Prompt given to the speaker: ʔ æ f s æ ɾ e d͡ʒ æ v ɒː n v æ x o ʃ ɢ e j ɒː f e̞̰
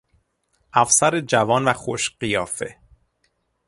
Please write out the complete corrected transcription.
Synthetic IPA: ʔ æ f s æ ɾ e d͡ʒ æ v ɒː n v æ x o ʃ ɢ i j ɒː f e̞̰